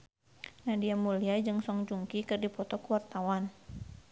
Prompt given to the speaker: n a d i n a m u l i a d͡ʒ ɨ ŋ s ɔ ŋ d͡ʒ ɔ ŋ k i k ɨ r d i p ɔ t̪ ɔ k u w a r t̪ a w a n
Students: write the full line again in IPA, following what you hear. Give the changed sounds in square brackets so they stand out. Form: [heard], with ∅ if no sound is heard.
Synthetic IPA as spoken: n a d i [∅] a m u l i a d͡ʒ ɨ ŋ s ɔ ŋ d͡ʒ [u] ŋ k i k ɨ r d i p ɔ t̪ ɔ k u w a r t̪ a w a n